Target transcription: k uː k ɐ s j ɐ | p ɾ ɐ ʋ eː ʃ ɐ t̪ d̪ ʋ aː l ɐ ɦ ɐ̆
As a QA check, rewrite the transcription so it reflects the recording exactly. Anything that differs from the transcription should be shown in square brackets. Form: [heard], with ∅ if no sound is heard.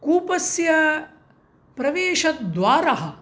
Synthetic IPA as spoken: k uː [p] ɐ s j ɐ | p ɾ ɐ ʋ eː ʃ ɐ t̪ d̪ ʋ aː [ɾ] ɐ ɦ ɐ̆